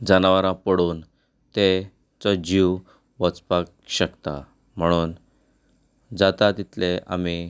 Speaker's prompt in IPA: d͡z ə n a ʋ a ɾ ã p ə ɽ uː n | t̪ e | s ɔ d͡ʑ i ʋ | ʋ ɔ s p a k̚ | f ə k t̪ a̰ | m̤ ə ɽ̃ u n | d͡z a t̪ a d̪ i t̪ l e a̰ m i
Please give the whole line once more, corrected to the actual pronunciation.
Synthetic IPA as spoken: d͡z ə n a ʋ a ɾ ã p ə ɽ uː n | t̪ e | t͡s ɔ d͡ʑ i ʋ | ʋ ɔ t͡s p a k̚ | ɕ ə k t̪ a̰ | m̤ ə ɽ̃ uː n | d͡z a t̪ a t̪ i t̪ l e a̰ m i